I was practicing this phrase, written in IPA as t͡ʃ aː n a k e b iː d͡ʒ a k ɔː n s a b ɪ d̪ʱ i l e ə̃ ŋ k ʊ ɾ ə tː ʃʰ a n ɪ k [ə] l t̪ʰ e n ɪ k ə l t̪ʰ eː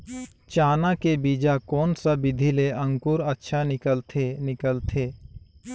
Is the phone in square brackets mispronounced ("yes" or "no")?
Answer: no